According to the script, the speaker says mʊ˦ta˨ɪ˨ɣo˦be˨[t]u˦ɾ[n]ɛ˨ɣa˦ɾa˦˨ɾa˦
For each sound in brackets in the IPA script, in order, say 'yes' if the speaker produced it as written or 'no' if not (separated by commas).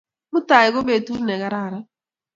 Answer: yes, yes